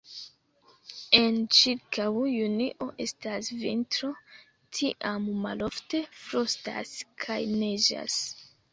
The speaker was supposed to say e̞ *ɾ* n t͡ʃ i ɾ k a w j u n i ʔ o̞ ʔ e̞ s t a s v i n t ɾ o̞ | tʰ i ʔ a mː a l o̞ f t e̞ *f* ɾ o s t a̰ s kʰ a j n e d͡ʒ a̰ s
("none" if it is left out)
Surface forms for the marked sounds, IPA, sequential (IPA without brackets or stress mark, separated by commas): none, f